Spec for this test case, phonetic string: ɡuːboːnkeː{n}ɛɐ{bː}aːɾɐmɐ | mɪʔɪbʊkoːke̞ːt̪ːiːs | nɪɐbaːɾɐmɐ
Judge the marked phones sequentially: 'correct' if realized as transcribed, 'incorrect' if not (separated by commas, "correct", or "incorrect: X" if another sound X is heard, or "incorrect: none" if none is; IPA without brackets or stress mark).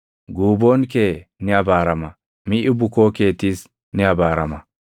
correct, incorrect: b